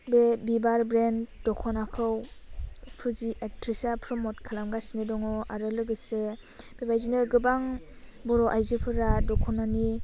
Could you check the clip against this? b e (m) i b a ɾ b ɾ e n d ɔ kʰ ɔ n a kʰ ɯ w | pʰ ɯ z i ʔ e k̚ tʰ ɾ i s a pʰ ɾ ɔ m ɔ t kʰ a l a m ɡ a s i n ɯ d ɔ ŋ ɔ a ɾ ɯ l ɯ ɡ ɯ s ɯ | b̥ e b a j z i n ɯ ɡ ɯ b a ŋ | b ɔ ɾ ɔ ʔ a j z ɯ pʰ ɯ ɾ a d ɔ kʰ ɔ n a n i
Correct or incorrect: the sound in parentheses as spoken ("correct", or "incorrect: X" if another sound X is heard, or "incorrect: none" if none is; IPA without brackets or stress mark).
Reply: incorrect: b